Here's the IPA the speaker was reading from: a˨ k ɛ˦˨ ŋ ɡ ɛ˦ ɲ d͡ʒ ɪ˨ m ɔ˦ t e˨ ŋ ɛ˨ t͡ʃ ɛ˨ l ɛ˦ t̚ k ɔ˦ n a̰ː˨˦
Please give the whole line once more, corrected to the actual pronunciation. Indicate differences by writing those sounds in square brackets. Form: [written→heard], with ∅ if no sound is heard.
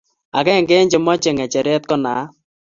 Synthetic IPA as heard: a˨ k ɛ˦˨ ŋ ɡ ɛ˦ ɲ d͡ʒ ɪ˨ m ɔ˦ [t→t͡ʃ] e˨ ŋ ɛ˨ t͡ʃ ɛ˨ [l→ɾ] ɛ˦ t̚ k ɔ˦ n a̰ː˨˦